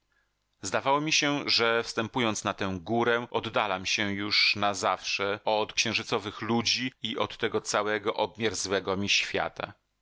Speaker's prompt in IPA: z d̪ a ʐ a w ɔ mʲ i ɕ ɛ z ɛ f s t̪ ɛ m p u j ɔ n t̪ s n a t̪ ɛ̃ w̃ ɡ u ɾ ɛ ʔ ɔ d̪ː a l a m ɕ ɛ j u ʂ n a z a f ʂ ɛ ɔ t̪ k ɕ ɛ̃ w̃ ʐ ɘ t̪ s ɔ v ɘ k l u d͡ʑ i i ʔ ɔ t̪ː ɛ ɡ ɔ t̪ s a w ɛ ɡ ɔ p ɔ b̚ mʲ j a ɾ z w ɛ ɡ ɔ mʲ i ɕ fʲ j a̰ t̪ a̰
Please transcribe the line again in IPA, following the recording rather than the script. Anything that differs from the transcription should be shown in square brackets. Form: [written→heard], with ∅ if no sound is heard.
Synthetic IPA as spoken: z d̪ a [ʐ→v] a w ɔ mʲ i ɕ ɛ [z→ʐ] ɛ f s t̪ ɛ m p u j ɔ n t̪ s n a t̪ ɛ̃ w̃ ɡ u ɾ ɛ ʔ ɔ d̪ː a l a m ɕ ɛ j u ʂ n a z a f ʂ ɛ ɔ t̪ k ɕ ɛ̃ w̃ ʐ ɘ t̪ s ɔ v ɘ [k→x] l u d͡ʑ i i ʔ ɔ t̪ː ɛ ɡ ɔ t̪ s a w ɛ ɡ ɔ [p→ʔ] ɔ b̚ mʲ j a ɾ z w ɛ ɡ ɔ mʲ i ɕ fʲ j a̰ t̪ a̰